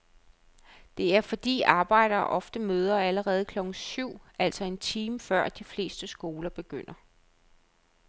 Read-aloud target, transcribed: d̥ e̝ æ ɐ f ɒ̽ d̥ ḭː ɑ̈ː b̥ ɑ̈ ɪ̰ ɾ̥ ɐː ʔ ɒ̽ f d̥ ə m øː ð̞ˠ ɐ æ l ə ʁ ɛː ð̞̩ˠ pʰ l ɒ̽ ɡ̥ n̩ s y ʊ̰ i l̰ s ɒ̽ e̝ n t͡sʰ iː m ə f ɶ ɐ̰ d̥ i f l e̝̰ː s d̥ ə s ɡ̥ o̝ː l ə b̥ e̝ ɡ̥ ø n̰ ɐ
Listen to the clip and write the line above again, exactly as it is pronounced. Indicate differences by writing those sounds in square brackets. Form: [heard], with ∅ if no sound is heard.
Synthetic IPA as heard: d̥ e̝ æ ɐ f ɒ̽ d̥ ḭː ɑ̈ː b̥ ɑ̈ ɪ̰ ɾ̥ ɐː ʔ ɒ̽ f d̥ ə m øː ð̞ˠ ɐ æ l ə ʁ ɛː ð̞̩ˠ [kʰ] l ɒ̽ ɡ̥ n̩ s y ʊ̰ [æ] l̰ s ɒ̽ e̝ n t͡sʰ iː m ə f ɶ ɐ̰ d̥ i f l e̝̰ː s d̥ ə s ɡ̥ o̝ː l [ɐ] b̥ e̝ ɡ̥ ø n̰ ɐ

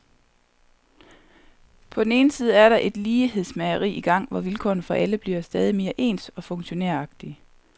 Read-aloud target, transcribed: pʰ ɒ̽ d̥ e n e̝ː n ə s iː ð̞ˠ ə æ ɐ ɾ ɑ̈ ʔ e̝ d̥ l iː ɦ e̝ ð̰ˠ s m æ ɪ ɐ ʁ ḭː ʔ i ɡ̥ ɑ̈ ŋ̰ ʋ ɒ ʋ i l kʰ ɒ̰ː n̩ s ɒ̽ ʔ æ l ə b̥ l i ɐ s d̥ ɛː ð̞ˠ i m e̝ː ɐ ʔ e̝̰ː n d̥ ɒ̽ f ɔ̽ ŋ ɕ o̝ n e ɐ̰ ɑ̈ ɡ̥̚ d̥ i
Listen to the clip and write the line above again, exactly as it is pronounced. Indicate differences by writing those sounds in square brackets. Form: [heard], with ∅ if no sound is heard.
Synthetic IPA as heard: pʰ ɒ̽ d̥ e n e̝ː n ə s iː ð̞ˠ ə æ ɐ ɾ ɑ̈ ʔ e̝ d̥ l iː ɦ e̝ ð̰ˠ s m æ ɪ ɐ ʁ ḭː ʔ i ɡ̥ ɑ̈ ŋ̰ ʋ ɒ ʋ i l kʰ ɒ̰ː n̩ [f] ɒ̽ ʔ æ l ə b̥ l i ɐ s d̥ ɛː ð̞ˠ i m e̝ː ɐ ʔ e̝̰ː n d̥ ɒ̽ f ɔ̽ ŋ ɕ o̝ n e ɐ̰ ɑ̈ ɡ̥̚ d̥ i

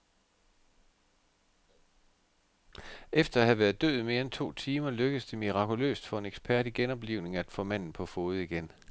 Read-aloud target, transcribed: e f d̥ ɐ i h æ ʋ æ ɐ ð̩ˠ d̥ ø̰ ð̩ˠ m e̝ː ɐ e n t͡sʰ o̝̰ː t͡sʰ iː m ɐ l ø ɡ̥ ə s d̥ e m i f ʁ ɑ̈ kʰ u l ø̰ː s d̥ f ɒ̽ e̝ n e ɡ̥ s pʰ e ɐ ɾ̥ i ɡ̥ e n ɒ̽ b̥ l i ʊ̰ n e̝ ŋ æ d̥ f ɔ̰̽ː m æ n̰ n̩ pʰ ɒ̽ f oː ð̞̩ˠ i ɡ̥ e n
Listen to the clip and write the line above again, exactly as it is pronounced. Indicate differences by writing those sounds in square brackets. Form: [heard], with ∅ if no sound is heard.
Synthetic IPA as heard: e f d̥ ɐ [æ] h æ ʋ æ ɐ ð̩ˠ d̥ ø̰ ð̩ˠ m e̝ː ɐ e n t͡sʰ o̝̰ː t͡sʰ iː m ɐ l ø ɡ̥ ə s d̥ e m i [∅] ʁ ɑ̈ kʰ u l ø̰ː s d̥ f ɒ̽ e̝ n e ɡ̥ s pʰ [æ] ɐ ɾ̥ i ɡ̥ e n ɒ̽ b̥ l i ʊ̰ n e̝ ŋ æ d̥ f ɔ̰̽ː m æ n̰ n̩ pʰ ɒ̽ f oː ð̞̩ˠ i ɡ̥ e n

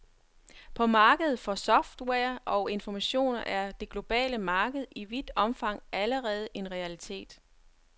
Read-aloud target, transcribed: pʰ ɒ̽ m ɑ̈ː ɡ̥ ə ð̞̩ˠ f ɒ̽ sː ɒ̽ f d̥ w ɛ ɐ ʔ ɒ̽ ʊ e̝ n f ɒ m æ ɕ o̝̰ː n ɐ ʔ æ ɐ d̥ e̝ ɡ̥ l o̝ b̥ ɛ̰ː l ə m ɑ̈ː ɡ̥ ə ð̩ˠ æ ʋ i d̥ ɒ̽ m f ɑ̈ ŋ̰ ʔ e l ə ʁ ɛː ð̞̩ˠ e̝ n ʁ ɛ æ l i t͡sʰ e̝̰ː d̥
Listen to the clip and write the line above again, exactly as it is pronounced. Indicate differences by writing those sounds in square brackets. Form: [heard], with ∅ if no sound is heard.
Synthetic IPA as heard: pʰ ɒ̽ m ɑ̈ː ɡ̥ ə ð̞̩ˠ f ɒ̽ [s] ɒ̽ f d̥ w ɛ ɐ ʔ ɒ̽ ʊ e̝ n f ɒ m æ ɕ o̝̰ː n ɐ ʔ æ ɐ d̥ e̝ ɡ̥ l o̝ b̥ ɛ̰ː l ə m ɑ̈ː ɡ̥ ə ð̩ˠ [i] ʋ i d̥ ɒ̽ m f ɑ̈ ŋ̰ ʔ [æ] l ə ʁ ɛː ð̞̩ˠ e̝ n ʁ ɛ æ l i t͡sʰ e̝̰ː d̥

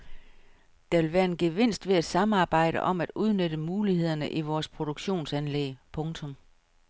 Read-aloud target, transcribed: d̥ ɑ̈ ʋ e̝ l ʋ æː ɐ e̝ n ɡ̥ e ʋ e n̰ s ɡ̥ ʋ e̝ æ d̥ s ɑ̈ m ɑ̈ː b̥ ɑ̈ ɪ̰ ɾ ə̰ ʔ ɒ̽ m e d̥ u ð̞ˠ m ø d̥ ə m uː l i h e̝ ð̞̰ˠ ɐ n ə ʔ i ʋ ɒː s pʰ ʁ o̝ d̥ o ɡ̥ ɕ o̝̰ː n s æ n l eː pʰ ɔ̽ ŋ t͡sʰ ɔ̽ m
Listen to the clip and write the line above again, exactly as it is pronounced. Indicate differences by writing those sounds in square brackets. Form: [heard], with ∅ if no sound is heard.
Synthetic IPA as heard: d̥ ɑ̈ ʋ e̝ l ʋ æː ɐ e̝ n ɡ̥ e ʋ e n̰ s [d̥] ʋ e̝ æ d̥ s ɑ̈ m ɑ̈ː b̥ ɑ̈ ɪ̰ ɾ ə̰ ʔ ɒ̽ m [æ] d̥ u ð̞ˠ [n] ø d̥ ə m uː l i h e̝ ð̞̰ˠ ɐ n ə ʔ i ʋ ɒː s pʰ ʁ o̝ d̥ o ɡ̥ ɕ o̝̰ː n s æ n l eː pʰ ɔ̽ ŋ t͡sʰ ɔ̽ m

